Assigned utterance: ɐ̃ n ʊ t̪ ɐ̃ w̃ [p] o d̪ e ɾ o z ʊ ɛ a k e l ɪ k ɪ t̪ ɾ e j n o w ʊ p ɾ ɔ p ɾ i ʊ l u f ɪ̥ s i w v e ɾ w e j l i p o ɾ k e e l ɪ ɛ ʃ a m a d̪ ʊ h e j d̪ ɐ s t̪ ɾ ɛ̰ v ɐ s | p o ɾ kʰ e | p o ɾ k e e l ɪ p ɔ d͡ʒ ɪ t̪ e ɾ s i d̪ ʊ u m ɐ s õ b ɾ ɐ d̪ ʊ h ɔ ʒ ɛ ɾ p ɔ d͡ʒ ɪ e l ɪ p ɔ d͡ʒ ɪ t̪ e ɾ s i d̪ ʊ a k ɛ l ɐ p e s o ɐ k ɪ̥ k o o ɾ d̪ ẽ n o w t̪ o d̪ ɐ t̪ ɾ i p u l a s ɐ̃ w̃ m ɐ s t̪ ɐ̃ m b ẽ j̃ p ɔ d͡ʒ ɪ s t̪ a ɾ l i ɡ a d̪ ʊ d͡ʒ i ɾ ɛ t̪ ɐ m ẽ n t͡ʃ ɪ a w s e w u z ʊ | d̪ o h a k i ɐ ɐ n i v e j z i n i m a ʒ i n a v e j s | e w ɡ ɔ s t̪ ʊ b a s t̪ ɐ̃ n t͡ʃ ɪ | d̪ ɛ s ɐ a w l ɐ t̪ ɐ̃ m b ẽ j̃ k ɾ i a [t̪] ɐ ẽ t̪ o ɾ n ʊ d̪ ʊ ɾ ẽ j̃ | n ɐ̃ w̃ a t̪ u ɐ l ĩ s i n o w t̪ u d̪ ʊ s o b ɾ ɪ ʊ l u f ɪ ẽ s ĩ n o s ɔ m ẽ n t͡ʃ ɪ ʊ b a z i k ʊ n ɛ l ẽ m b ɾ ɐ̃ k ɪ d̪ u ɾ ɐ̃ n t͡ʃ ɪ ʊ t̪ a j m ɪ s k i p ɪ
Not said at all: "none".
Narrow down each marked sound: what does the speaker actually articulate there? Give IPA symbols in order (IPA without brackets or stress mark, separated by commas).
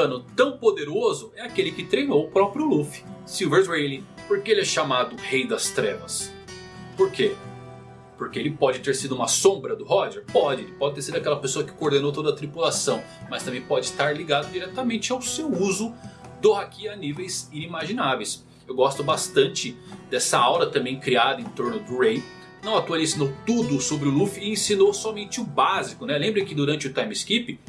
p, d̪